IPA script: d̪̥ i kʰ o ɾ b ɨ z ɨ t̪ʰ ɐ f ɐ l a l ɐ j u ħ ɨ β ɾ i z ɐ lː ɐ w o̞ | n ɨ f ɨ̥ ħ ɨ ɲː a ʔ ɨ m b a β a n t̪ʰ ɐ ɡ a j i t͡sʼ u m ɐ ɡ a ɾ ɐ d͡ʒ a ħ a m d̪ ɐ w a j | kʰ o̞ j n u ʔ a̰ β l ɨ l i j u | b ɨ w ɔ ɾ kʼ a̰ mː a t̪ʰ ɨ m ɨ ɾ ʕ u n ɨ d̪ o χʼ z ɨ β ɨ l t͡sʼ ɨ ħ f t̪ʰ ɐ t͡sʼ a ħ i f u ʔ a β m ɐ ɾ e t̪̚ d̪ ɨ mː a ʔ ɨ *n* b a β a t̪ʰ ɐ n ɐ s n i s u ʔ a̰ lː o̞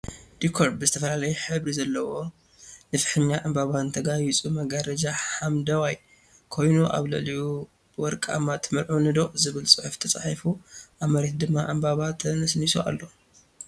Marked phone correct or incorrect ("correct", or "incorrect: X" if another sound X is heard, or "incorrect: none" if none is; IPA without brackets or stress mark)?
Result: incorrect: m